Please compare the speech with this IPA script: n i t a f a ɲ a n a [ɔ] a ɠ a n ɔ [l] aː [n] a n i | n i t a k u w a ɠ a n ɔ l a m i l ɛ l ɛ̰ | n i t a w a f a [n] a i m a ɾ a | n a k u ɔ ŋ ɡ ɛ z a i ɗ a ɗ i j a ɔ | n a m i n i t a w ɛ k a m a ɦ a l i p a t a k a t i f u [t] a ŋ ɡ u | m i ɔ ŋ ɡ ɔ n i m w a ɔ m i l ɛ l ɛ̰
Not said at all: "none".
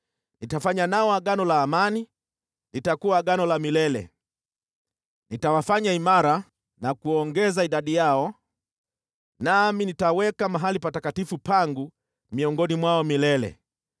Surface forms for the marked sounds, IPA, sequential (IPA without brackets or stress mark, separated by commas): ɔ, l, m, ɲ, p